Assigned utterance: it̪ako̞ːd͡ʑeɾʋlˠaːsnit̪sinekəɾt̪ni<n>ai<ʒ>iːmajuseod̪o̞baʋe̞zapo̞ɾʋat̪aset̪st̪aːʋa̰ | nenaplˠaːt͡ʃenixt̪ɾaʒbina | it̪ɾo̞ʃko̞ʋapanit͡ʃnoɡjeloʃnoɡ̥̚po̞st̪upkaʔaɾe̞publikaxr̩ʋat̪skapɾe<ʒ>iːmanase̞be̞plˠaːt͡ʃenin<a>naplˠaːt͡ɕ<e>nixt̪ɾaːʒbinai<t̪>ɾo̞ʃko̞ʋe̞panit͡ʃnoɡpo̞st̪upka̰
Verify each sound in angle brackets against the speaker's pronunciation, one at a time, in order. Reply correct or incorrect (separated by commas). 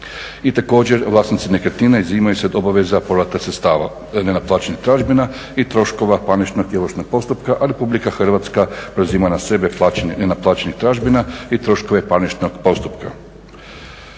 correct, incorrect, incorrect, incorrect, correct, correct